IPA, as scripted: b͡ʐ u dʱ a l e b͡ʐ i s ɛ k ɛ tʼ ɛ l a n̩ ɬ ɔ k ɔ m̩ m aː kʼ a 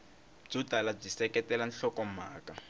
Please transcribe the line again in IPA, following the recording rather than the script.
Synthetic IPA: b͡ʐ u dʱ a l a b͡ʐ i s ɛ k ɛ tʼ ɛ l a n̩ ɬ ɔ k ɔ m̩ m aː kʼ a